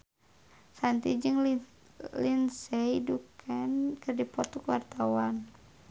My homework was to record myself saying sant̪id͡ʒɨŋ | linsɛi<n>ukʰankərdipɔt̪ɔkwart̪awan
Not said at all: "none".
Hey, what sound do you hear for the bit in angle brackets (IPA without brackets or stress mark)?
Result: d